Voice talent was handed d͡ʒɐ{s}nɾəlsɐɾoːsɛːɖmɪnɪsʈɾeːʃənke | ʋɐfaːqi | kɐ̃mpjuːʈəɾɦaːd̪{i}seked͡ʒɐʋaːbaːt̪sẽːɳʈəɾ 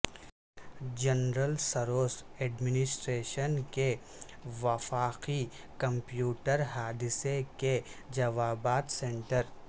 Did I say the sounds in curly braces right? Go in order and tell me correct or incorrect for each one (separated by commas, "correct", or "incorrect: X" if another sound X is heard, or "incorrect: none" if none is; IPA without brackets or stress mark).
incorrect: none, incorrect: ɪ